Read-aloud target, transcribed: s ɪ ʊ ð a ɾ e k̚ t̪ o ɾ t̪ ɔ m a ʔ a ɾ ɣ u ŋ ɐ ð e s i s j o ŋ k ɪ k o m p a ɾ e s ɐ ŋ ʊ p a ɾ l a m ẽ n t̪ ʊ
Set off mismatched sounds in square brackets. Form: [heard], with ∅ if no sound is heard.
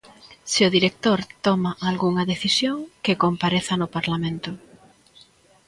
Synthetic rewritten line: s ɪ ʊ ð [i] ɾ e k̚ t̪ o ɾ t̪ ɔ m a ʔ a [l] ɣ u ŋ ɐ ð e [θ] i s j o ŋ k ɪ k o m p a ɾ e [θ] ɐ [n] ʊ p a ɾ l a m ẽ n t̪ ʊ